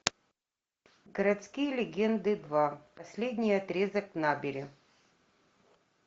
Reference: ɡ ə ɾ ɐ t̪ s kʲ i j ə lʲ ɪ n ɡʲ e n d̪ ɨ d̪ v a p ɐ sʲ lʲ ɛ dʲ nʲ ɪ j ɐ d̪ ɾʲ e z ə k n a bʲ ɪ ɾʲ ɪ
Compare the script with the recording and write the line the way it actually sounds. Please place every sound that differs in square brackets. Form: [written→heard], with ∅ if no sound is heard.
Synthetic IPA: ɡ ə ɾ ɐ t̪ s kʲ i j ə lʲ ɪ [n→∅] ɡʲ e n d̪ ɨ d̪ v a p ɐ sʲ lʲ [ɛ→e] dʲ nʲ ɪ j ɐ [d̪→t̪] ɾʲ e z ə k n a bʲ ɪ ɾʲ ɪ